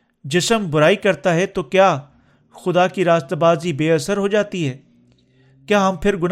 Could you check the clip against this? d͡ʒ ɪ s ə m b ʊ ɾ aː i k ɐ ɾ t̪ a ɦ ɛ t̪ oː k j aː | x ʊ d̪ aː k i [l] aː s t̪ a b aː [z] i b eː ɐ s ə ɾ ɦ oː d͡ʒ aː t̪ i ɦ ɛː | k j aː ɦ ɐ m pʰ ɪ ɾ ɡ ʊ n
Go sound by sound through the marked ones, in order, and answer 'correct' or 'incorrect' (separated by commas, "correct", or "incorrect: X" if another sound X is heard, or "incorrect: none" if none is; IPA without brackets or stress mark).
incorrect: ɾ, correct